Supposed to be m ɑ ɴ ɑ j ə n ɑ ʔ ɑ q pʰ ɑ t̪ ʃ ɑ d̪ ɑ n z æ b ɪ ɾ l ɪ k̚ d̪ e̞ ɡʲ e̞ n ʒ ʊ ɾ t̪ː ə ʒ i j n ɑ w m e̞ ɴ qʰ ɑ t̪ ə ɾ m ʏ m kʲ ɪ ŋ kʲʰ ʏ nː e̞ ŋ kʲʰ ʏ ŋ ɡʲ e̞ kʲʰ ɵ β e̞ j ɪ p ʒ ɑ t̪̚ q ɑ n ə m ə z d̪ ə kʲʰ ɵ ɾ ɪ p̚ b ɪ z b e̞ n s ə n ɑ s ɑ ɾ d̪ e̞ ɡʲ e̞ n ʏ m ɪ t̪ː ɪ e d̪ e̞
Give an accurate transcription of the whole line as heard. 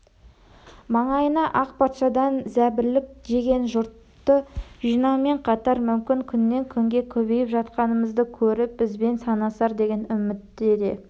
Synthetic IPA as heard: m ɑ ɴ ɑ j ə n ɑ ʔ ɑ q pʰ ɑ t̪ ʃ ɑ d̪ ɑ n z æ b ɪ ɾ l ɪ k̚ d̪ e̞ ɡʲ e̞ n ʒ ʊ ɾ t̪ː ə ʒ i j n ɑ w m e̞ ɴ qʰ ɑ t̪ ɑ ɾ m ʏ m kʲ ɪ ŋ kʲʰ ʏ nː e̞ ŋ kʲʰ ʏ ŋ ɡʲ e̞ kʲʰ ɵ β e̞ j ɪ p ʒ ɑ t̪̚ q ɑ n ə m ə z d̪ ə kʲʰ ɵ ɾ ɪ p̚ b ɪ z b e̞ n s ɑ n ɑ s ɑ ɾ d̪ e̞ ɡʲ e̞ n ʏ m ɪ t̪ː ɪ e d̪ e̞